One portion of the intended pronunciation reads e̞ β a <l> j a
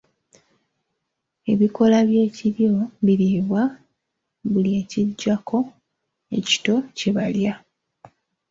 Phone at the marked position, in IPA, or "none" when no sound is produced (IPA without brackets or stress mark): l